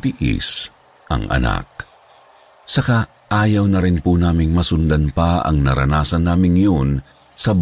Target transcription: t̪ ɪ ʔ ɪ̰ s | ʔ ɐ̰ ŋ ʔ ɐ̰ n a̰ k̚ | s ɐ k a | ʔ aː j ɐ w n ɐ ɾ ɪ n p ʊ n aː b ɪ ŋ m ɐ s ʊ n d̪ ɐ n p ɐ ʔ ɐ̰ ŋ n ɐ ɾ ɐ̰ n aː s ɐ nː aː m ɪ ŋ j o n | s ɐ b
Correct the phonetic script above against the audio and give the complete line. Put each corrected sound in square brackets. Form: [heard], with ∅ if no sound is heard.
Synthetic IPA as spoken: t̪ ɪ ʔ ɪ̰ s | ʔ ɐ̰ ŋ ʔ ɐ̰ n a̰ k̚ | s ɐ k a | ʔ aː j ɐ w n ɐ ɾ ɪ n p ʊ n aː [m] ɪ ŋ m ɐ s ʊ n d̪ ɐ n p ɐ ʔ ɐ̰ ŋ n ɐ ɾ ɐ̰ n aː s ɐ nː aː m ɪ ŋ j o n | s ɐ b